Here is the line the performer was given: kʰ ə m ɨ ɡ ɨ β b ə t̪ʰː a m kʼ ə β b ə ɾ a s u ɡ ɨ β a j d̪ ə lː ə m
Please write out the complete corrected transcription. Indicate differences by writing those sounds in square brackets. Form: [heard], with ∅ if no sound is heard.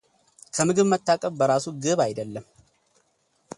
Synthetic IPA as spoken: kʰ ə m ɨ ɡ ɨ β [m] ə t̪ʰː a [∅] kʼ ə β b ə ɾ a s u ɡ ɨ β a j d̪ ə lː ə m